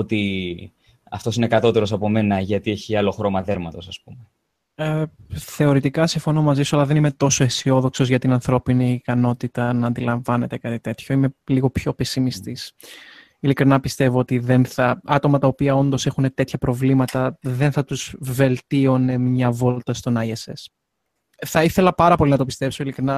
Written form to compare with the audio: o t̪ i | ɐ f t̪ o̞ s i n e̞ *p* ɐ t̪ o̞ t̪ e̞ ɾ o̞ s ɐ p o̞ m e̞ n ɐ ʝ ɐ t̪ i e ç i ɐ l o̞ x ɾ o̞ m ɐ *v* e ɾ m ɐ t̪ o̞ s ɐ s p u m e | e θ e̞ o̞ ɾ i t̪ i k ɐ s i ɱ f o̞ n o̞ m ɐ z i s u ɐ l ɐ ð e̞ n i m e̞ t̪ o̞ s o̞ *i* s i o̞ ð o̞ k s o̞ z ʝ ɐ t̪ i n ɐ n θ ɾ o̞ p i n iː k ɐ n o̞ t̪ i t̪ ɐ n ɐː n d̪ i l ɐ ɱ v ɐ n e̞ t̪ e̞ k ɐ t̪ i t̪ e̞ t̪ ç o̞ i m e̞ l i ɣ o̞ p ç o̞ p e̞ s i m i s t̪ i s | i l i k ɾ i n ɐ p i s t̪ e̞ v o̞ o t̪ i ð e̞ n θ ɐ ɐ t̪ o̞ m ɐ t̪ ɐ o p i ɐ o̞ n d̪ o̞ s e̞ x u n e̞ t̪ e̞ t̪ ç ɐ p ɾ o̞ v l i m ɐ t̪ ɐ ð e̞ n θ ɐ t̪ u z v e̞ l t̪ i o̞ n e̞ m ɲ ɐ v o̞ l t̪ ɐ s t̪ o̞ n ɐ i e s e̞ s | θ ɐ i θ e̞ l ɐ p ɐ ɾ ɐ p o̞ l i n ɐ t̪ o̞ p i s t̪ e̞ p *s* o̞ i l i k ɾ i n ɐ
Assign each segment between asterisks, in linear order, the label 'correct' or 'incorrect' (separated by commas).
incorrect, incorrect, incorrect, correct